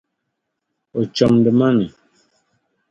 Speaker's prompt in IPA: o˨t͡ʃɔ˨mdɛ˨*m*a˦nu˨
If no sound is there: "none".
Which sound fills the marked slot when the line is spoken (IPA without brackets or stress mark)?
m